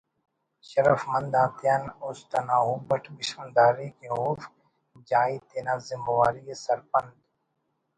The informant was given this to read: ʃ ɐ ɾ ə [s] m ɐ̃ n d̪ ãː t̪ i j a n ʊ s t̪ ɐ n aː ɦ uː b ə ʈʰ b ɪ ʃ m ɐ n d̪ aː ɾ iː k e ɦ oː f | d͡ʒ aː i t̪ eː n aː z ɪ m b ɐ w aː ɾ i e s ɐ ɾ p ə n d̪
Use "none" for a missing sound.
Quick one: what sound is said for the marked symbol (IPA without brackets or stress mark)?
f